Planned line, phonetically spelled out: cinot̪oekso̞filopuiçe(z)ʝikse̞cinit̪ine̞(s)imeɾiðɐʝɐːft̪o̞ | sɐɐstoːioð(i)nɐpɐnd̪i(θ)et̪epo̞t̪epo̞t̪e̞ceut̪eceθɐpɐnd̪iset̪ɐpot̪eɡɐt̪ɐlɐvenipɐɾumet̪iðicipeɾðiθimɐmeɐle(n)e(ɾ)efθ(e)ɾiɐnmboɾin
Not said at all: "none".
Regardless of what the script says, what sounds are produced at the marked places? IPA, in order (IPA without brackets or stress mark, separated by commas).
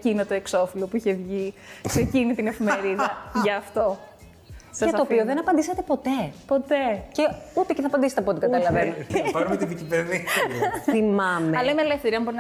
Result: v, f, e, s, m, l, e